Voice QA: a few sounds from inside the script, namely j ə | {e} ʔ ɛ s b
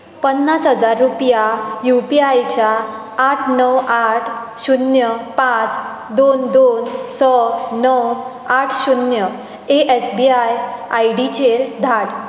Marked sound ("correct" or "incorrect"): correct